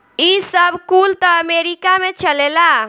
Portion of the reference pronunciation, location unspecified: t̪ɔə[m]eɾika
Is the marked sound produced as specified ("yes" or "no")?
yes